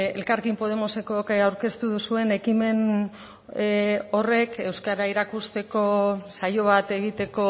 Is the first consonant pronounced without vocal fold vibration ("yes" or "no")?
no